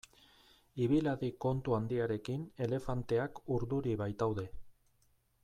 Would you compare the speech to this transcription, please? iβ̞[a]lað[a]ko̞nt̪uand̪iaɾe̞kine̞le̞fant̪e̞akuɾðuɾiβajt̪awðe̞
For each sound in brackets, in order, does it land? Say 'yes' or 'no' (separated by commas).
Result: no, no